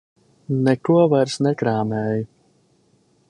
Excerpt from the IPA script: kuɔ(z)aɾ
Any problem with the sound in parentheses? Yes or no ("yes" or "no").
yes